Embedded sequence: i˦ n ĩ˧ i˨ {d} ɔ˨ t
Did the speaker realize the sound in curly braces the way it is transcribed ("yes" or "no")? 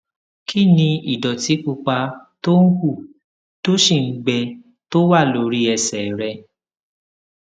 yes